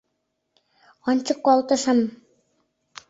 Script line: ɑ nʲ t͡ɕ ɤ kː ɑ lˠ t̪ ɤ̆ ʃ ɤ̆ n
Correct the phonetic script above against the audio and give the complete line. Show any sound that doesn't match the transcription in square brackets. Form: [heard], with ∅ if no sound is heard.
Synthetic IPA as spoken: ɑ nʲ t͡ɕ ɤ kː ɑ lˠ t̪ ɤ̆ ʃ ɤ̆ [m]